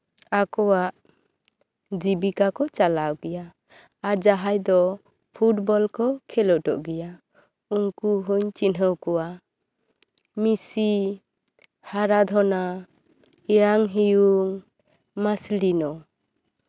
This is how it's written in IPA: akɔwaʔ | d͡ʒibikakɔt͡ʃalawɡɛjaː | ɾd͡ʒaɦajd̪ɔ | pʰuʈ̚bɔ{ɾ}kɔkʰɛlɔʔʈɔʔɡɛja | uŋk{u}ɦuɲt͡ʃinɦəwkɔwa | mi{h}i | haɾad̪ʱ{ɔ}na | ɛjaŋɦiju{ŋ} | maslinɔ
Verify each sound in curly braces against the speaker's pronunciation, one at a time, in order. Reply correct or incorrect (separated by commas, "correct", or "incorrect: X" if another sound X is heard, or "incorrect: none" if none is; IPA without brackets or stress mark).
incorrect: l, correct, incorrect: s, correct, correct